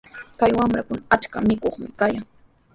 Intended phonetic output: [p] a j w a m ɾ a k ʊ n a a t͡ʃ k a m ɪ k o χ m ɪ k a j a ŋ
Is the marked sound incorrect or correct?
incorrect